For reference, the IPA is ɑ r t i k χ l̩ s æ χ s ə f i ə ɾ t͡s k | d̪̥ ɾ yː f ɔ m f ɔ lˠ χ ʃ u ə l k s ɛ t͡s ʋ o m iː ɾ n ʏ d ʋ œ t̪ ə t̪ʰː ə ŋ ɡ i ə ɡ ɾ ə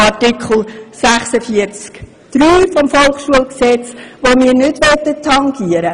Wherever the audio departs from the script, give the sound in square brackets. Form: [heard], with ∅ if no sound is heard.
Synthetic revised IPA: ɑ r t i k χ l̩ s æ χ s ə f i ə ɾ t͡s k | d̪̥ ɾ yː f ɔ m f ɔ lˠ χ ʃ u ə l k s ɛ t͡s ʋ o m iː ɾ n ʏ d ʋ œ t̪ ə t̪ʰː [ɑ] ŋ ɡ i ə [∅] ɾ ə

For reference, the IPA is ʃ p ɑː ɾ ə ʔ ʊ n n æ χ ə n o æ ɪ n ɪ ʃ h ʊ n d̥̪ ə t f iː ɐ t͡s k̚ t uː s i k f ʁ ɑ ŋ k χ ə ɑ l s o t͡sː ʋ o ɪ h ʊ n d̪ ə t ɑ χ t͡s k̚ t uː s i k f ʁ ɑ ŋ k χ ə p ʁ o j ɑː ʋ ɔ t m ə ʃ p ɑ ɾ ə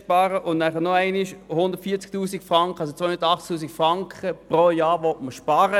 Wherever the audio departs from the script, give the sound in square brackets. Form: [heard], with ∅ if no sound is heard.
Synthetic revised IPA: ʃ p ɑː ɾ ə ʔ ʊ n n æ χ ə n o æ ɪ n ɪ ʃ h ʊ n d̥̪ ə t f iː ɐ t͡s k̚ t uː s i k f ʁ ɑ ŋ k χ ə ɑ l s o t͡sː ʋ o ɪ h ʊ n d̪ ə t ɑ χ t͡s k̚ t uː s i k f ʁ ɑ ŋ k χ ə p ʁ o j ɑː ʋ ɔ t m ə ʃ p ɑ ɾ ə

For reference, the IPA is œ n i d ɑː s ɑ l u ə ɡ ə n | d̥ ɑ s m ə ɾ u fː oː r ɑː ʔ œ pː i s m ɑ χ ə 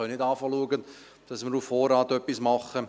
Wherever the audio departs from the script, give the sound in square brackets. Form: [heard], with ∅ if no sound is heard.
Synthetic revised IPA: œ n [ɪ] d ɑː [f] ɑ l u ə ɡ ə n | d̥ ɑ s m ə ɾ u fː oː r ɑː [t] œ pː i s m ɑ χ ə

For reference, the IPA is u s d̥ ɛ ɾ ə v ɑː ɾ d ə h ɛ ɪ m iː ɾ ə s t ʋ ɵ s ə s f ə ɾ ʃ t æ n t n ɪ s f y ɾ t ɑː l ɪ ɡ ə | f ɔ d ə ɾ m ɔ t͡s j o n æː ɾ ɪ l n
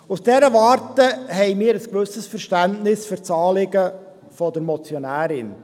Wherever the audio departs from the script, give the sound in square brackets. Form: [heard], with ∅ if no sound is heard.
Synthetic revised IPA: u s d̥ ɛ ɾ ə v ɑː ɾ [t] ə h ɛ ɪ m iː ɾ ə s [k] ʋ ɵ s ə s f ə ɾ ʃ t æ n t n ɪ s f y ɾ [t͡s] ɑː l ɪ ɡ ə | f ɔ d ə ɾ m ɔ t͡s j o n æː ɾ ɪ [∅] n

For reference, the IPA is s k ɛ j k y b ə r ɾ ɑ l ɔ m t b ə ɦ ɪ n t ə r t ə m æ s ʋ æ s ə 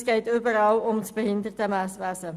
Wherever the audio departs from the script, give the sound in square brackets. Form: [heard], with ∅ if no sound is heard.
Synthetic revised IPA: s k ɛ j [t] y b ə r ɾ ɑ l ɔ m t b ə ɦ ɪ n [d] ə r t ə m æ s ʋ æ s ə

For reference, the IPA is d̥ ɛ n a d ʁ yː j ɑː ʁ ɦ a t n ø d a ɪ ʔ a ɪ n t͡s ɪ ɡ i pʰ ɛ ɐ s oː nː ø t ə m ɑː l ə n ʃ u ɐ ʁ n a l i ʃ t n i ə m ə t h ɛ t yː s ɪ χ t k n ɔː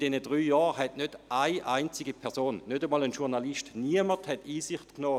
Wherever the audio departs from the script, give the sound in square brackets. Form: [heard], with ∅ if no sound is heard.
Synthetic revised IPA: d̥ ɛ n [ə] d ʁ yː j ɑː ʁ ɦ [ɛ] t n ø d a ɪ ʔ a ɪ n t͡s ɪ ɡ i pʰ ɛ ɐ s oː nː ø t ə m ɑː l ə n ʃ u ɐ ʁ n a l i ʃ t n i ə m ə t h ɛ t [iː] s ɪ χ t k n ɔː

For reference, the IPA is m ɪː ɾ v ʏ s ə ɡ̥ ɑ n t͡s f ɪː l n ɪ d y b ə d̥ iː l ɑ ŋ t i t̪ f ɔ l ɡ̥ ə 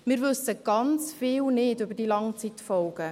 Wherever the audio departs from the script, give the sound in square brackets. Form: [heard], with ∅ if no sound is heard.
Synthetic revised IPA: m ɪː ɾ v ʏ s ə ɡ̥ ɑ n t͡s f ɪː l n ɪ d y b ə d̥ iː l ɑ ŋ [t͡s] i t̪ f ɔ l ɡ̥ ə

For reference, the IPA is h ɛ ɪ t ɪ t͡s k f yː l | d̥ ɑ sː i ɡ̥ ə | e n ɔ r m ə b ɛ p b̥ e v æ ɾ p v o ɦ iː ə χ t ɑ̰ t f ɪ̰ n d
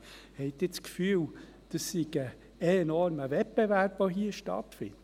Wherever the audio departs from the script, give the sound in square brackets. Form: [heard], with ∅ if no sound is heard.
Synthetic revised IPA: h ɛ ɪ t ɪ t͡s k f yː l | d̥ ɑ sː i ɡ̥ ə | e n ɔ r m ə [v] ɛ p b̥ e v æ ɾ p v o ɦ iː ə [ʃ] t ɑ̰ t f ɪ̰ n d

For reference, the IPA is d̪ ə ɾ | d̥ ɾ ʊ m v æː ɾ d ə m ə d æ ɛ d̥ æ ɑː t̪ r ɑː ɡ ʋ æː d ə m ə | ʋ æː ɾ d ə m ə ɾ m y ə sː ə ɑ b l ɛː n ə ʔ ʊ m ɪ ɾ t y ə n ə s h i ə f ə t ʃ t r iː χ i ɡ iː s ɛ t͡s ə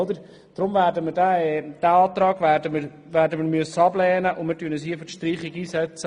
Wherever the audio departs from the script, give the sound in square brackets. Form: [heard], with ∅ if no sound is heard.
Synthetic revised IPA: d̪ ə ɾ | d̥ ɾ ʊ m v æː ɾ d ə m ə d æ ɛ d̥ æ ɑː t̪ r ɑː ɡ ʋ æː d ə m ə | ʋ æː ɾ d ə m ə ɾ m y ə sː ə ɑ b l ɛː n ə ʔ ʊ m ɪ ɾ t y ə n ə s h i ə f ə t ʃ t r iː χ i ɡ iː s ɛ t͡s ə

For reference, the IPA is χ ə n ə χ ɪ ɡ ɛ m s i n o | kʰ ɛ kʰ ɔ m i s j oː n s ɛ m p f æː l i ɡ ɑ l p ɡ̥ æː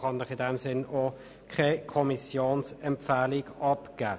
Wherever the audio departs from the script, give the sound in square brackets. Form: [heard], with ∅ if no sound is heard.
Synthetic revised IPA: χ [ɑ] n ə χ ɪ [d] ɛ m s [ɪ] n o | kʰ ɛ kʰ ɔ m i s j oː n s ɛ m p f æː l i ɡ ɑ [∅] p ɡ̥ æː

